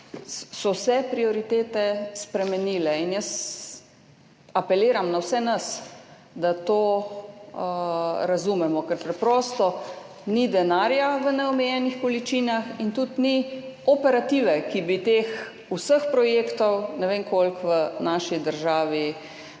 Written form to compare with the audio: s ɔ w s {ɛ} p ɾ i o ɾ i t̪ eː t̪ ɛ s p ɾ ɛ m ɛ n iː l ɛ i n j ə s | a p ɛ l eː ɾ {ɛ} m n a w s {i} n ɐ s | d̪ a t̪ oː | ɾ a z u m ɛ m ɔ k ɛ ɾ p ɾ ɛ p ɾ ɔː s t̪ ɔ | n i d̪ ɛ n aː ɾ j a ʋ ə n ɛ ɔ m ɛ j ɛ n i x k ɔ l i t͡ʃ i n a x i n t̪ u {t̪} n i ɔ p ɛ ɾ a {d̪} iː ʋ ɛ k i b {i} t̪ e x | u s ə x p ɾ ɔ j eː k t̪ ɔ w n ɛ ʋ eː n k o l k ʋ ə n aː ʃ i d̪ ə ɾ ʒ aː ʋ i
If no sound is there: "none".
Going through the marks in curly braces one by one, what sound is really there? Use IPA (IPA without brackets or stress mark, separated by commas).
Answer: ɛ, a, ɛ, t̪, t̪, i